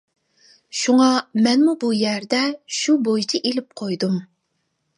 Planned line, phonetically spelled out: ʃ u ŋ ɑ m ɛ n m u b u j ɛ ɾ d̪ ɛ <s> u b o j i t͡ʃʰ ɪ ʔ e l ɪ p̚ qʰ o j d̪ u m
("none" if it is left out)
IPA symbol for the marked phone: ʃ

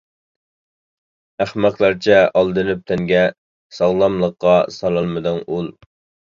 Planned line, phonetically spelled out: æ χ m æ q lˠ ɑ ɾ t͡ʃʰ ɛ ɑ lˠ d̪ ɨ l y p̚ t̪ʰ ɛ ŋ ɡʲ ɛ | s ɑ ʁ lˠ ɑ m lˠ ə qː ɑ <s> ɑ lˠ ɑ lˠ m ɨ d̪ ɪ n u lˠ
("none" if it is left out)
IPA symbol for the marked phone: s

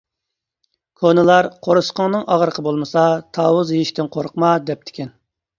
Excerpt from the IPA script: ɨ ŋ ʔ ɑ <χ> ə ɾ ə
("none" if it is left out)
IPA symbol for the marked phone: ʁ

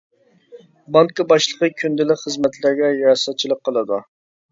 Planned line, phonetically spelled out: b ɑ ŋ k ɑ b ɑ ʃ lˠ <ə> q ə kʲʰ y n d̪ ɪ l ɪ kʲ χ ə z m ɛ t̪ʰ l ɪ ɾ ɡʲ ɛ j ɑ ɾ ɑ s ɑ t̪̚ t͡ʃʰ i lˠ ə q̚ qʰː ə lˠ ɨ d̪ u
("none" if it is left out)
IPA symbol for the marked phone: ə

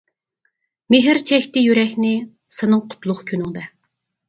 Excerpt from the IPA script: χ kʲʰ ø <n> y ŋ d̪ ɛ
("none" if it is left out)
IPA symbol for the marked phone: n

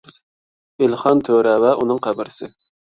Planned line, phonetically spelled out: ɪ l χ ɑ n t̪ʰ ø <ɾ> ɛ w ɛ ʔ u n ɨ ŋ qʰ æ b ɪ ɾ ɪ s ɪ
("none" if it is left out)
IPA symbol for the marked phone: ɾ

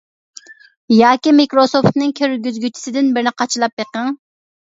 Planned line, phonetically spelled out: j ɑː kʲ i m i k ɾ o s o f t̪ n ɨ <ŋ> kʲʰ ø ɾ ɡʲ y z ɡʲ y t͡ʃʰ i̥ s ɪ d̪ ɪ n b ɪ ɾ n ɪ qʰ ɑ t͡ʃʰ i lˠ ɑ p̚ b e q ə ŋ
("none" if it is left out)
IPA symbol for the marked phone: ŋ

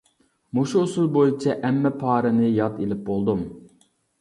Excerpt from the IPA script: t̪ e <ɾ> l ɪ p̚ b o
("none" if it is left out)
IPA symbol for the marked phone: none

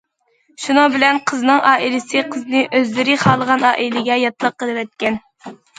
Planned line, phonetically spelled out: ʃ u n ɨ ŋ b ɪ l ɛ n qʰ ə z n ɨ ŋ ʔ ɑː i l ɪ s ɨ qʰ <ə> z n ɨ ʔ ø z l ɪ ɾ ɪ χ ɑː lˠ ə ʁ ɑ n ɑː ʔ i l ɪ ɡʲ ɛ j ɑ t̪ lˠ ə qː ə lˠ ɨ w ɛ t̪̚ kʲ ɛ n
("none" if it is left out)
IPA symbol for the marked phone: ə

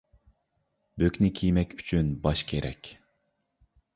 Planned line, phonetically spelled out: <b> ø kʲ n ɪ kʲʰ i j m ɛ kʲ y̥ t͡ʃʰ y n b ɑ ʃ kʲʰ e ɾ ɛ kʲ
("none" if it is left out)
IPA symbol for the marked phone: b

